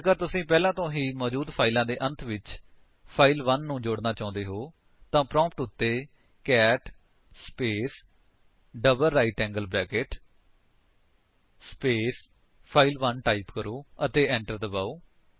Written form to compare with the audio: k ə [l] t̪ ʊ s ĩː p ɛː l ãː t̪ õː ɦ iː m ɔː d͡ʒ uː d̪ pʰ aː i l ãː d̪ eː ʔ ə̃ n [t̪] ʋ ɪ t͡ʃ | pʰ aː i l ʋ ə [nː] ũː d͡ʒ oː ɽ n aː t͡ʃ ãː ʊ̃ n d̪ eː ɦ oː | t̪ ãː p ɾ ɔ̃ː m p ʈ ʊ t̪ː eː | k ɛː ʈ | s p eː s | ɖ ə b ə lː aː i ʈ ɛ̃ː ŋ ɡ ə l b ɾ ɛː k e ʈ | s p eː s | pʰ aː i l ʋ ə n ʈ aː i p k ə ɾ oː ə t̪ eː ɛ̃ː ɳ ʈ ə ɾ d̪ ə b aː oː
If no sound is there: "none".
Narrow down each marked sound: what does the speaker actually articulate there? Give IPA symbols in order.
ɾ, t̪ʰ, nː

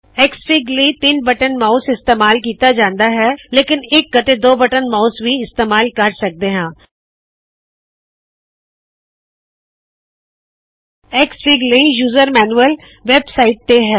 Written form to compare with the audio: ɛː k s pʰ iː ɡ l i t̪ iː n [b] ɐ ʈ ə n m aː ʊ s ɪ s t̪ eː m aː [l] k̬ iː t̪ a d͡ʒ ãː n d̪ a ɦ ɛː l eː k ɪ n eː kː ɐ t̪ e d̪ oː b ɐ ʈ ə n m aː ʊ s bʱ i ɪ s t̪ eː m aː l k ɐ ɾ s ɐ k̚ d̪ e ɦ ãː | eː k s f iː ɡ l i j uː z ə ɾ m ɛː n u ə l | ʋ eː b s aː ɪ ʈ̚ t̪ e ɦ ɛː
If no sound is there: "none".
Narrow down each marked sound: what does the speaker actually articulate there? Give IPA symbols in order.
b, l

